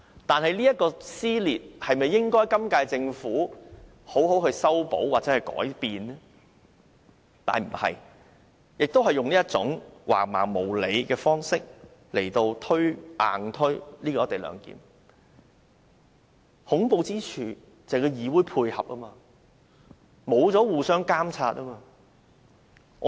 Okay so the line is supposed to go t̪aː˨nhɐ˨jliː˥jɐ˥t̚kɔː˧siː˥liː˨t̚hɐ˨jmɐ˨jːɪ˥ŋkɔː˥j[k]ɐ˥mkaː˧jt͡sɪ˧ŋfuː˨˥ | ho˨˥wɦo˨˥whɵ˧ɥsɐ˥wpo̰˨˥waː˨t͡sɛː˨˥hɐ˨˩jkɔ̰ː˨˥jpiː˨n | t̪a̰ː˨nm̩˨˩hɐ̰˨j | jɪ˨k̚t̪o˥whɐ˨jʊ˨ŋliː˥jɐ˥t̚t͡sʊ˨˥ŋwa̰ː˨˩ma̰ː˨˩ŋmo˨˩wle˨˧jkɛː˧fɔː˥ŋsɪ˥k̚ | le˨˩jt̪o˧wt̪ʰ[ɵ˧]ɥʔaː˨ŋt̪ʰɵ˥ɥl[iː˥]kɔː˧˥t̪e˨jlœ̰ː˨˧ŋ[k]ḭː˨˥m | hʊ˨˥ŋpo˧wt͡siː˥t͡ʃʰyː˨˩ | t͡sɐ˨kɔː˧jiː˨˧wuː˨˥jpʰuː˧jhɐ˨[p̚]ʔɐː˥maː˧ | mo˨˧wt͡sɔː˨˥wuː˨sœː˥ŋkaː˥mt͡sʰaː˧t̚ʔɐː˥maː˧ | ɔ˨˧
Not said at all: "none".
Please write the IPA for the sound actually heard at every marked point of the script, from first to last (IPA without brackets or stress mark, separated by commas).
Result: k, ɵ˥, iː˥, k, p̚